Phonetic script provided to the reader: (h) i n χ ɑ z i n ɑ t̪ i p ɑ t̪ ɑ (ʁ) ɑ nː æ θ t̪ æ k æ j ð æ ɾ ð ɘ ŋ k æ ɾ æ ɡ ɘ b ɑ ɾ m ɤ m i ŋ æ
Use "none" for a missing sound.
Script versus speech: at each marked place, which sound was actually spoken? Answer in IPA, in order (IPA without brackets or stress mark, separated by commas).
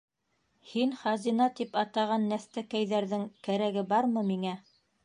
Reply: h, ʁ